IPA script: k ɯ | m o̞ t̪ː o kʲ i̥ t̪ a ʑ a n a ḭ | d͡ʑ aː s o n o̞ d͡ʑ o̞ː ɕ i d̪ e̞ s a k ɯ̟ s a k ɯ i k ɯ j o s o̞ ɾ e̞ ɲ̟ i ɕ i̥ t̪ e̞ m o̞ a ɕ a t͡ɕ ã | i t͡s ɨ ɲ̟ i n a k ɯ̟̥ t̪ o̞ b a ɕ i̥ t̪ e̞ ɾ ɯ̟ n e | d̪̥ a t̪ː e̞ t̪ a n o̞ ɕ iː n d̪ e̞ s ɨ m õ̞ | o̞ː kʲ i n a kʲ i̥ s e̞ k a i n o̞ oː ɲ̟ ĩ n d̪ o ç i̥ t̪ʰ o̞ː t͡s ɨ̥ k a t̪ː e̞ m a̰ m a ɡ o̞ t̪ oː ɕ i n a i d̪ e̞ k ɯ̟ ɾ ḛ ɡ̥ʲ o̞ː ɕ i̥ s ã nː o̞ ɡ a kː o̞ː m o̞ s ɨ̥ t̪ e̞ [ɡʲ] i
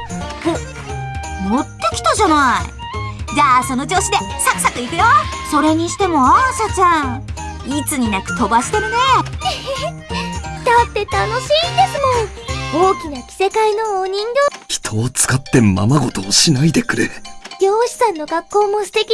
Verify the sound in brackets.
incorrect: kʲ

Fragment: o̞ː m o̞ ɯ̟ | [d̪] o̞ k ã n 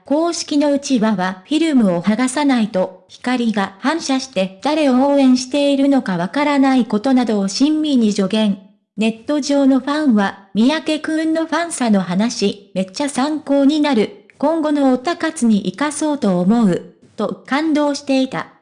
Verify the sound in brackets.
incorrect: t̪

